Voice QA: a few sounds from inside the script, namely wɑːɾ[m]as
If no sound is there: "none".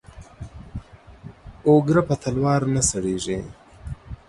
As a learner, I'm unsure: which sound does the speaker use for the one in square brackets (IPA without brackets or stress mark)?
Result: n